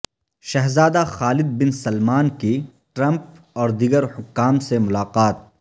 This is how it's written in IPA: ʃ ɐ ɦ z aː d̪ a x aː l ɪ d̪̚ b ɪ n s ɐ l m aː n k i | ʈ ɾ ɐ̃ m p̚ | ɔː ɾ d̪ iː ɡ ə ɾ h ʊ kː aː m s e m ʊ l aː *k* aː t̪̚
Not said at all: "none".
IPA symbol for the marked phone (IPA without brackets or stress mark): q